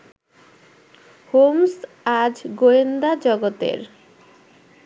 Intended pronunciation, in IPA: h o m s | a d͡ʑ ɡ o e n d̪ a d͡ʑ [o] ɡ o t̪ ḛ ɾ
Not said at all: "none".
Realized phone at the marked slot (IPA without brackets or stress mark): ɔ